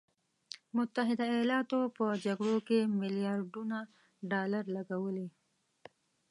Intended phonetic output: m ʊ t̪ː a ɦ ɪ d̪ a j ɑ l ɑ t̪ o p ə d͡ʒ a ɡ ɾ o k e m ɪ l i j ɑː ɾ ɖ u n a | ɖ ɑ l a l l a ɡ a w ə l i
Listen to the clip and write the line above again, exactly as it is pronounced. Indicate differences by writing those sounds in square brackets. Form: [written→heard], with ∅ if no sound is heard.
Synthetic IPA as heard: m ʊ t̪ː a ɦ ɪ d̪ a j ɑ l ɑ t̪ o p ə d͡ʒ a ɡ [ɾ→ɽ] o k e m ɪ l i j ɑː ɾ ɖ u n a | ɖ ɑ l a [l→ɾ] l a ɡ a w ə l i